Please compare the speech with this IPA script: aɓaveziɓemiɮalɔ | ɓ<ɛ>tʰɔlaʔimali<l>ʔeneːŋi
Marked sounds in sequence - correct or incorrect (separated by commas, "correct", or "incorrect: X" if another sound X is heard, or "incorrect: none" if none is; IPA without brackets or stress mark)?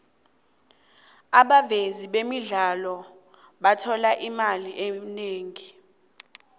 incorrect: a, incorrect: none